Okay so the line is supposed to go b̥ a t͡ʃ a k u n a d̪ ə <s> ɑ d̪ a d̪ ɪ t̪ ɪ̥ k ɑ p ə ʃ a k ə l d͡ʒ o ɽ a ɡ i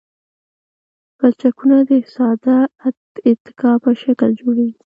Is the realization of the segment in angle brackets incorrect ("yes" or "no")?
no